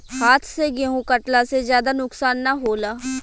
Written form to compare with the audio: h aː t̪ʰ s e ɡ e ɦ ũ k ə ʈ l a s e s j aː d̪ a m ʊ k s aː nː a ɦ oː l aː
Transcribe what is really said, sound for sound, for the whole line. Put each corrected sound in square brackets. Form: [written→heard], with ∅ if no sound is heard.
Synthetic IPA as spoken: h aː t̪ʰ s e ɡ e ɦ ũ k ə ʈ l a s e [s→z] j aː d̪ a [m→n] ʊ k s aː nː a ɦ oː l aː